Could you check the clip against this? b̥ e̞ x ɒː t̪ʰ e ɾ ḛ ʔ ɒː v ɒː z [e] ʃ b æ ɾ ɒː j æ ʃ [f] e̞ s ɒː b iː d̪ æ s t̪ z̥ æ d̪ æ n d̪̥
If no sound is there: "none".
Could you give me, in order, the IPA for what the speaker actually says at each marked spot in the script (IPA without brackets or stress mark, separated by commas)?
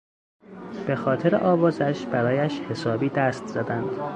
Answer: æ, h